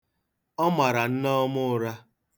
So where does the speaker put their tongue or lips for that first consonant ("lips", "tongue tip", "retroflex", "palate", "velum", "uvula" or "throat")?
lips